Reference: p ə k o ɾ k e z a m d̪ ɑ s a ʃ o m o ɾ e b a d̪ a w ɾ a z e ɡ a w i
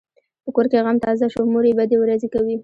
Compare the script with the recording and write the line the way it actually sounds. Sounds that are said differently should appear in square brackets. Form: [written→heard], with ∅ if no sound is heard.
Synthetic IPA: p ə k o ɾ k e [z→ɣ] a m [d̪→t̪] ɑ [s→z] a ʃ o m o ɾ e b a d̪ [a→e] w ɾ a z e [ɡ→k] a w i